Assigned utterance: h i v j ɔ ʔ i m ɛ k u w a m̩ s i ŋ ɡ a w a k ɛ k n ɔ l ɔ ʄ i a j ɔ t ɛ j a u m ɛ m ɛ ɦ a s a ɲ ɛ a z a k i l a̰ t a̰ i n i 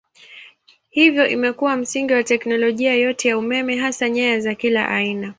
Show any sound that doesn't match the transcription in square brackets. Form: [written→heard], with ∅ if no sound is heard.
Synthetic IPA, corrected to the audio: h i v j ɔ ʔ i m ɛ k u w a m̩ s i ŋ ɡ [a→i] w a [k→t] ɛ k n ɔ l ɔ ʄ i a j ɔ t ɛ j a u m ɛ m ɛ ɦ a s a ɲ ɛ a z a k i l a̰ [t→ʔ] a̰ i n [i→a]